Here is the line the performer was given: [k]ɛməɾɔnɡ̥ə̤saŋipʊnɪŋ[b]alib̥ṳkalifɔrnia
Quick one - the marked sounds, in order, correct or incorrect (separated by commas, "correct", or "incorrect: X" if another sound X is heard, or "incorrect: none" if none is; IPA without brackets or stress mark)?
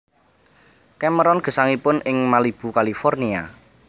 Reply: correct, incorrect: m